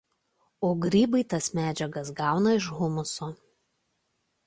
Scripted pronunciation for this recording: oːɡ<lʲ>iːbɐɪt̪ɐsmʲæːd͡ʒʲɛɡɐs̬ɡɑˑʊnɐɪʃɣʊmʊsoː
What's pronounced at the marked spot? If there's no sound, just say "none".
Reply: ɾʲ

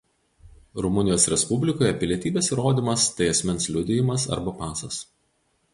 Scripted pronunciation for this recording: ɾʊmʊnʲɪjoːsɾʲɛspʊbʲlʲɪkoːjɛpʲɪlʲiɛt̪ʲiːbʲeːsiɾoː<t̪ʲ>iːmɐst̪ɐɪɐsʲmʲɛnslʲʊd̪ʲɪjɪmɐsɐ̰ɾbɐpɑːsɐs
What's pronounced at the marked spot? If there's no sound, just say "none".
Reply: d̪ʲ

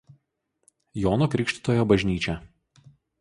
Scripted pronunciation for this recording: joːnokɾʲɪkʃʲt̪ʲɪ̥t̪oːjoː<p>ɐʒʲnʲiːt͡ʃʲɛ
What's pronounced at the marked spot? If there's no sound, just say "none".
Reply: b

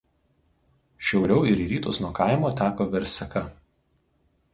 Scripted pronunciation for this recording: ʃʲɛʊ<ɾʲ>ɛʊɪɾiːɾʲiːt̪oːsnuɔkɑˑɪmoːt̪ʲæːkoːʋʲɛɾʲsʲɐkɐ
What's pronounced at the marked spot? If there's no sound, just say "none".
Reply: ɾʲ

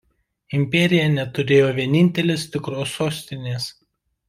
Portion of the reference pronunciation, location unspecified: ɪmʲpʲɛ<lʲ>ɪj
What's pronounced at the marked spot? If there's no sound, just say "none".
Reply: ɾʲ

